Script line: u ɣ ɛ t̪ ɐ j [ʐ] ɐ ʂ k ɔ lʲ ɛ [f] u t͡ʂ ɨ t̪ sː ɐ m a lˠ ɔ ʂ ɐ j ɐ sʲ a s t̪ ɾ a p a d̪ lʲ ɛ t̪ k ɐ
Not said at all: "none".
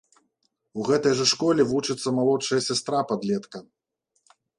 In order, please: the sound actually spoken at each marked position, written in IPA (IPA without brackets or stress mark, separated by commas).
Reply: ʐ, v